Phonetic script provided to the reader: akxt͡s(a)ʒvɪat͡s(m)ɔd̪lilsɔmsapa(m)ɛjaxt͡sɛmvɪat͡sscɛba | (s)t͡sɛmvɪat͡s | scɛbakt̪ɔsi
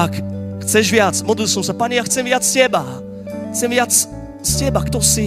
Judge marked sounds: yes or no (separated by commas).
no, yes, no, no